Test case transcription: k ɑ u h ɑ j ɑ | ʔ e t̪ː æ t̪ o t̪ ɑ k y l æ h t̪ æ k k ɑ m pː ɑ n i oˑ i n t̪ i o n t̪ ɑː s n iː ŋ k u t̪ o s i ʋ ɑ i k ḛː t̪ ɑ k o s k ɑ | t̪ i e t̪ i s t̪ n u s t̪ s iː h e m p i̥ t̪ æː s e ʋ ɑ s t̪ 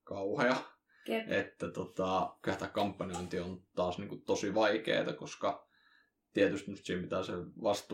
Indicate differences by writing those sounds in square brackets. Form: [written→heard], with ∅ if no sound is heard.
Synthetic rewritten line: k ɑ u h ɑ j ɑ | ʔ e t̪ː æ t̪ o t̪ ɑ k y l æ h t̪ æ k k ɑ m pː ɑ n i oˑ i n t̪ i o n t̪ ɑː s n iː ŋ k u t̪ o s i ʋ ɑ i k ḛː t̪ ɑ k o s k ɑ | t̪ i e t̪ [i→y] s t̪ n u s t̪ s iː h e m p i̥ t̪ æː s e ʋ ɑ s t̪